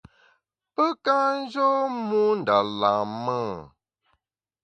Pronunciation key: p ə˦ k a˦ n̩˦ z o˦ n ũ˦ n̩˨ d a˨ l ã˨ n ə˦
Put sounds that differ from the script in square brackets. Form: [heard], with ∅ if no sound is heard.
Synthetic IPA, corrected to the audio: p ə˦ k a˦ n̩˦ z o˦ [m] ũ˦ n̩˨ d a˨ l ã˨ [m] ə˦